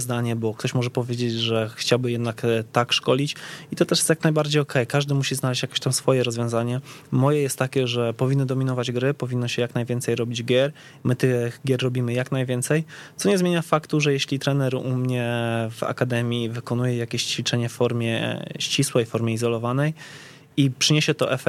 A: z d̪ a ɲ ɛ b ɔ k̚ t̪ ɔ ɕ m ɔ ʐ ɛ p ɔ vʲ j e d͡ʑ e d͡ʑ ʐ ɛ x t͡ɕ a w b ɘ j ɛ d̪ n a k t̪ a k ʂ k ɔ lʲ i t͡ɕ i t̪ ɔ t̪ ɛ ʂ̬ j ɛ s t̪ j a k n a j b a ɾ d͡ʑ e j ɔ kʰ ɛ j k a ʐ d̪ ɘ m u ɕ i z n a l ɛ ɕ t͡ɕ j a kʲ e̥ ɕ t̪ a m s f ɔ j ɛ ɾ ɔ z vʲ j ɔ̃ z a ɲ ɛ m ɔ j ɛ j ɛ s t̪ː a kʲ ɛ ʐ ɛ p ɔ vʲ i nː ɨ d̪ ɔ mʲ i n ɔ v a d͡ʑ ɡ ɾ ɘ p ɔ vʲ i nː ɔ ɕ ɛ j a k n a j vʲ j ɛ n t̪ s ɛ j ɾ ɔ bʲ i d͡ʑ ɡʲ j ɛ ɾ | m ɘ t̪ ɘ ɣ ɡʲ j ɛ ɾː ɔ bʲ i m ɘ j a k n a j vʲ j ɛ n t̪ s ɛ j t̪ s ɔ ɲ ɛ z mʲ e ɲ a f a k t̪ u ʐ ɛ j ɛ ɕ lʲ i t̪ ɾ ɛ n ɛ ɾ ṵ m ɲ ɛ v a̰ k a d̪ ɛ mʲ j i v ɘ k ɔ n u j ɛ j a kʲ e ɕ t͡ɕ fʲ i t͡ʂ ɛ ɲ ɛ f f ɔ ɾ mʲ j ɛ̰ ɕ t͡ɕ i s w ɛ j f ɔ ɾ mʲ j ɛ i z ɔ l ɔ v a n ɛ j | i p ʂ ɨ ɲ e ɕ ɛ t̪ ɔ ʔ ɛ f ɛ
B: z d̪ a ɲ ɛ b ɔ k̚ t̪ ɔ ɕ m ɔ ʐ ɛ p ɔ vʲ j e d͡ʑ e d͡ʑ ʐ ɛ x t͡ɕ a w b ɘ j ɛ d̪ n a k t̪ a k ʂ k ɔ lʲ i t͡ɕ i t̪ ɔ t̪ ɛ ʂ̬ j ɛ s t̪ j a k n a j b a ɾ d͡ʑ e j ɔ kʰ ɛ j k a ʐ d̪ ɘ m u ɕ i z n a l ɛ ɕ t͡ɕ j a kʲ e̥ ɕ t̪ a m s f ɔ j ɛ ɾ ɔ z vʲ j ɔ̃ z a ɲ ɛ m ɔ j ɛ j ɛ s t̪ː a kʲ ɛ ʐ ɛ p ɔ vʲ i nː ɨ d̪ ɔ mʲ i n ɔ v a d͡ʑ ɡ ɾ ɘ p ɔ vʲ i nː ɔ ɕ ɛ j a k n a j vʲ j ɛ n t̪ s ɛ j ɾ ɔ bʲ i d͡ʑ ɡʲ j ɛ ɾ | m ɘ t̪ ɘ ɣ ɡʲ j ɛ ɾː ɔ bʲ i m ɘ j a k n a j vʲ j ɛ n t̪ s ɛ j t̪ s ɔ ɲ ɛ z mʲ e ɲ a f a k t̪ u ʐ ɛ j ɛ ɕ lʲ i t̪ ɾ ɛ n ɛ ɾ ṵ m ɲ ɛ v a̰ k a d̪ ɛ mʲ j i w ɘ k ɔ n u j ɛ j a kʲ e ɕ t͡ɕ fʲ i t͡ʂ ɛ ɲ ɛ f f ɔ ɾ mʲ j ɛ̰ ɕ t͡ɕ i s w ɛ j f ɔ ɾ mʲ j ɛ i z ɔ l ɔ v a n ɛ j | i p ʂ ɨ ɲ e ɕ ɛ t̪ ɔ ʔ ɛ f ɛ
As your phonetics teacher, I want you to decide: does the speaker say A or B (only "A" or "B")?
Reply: A